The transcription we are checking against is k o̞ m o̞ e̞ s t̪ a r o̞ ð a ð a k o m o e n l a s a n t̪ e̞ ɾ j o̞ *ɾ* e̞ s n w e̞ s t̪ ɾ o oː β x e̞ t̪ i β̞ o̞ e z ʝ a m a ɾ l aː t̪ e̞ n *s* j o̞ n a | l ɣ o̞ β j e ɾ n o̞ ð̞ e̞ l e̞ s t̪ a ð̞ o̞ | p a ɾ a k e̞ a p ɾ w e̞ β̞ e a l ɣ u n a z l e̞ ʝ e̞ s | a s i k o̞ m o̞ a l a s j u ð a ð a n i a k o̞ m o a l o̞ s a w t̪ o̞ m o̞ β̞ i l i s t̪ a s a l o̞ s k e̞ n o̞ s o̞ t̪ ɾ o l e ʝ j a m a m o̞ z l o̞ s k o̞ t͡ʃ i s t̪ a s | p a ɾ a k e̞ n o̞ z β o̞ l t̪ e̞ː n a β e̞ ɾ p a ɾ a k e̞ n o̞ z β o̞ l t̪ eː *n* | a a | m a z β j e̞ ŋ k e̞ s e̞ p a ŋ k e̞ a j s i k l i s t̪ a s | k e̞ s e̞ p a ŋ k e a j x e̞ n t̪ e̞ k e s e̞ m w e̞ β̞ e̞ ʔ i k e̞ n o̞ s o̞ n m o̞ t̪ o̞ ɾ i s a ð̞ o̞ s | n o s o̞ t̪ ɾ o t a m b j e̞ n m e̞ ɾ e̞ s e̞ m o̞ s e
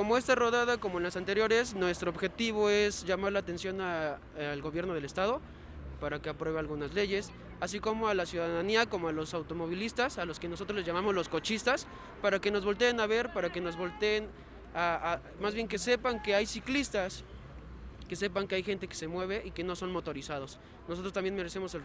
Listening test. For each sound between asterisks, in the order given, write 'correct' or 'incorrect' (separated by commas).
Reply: correct, correct, correct